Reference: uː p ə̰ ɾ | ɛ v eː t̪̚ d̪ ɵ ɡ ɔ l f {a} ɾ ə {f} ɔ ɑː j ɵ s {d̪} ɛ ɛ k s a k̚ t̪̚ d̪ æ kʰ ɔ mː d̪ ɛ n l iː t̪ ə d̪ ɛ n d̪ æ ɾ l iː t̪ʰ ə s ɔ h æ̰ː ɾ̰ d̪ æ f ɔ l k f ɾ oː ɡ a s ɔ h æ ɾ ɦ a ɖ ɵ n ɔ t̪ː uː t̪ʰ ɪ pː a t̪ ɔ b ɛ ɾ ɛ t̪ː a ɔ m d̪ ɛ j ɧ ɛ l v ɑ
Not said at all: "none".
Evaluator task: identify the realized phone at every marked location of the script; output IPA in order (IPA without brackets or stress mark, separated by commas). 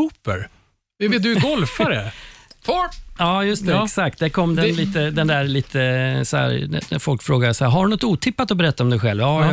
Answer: a, f, t̪